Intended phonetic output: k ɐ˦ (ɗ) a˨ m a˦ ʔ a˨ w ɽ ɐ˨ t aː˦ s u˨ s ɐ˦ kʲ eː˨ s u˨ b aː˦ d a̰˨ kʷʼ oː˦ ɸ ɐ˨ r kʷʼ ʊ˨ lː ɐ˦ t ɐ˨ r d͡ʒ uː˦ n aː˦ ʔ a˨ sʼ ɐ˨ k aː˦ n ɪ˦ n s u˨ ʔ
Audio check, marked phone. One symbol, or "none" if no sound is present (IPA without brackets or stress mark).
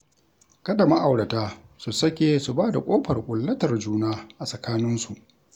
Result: d